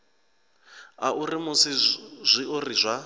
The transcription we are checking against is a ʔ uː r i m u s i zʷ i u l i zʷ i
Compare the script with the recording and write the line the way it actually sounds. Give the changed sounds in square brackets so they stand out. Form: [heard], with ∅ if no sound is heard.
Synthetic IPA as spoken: a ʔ [u] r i m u s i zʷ i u [r] i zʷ [a]